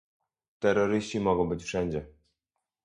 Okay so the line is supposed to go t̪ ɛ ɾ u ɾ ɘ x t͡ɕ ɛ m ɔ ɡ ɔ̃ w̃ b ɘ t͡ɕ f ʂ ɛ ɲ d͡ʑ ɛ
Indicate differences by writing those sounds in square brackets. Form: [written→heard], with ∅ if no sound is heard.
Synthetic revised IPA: t̪ ɛ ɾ [u→ɔ] ɾ ɘ [x→ɕ] t͡ɕ [ɛ→i] m ɔ ɡ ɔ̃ w̃ b ɘ t͡ɕ f ʂ ɛ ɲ d͡ʑ ɛ